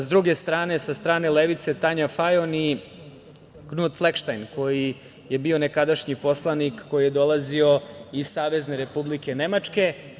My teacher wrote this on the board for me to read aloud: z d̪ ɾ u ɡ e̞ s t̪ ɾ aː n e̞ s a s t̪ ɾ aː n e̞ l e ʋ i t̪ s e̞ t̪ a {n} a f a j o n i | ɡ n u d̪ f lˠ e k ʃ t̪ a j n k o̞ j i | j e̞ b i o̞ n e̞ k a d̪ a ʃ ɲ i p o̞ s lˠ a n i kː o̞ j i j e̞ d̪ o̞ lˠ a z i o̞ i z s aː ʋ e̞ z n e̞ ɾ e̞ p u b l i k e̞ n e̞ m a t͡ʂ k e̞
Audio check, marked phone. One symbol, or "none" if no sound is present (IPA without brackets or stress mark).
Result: ɲ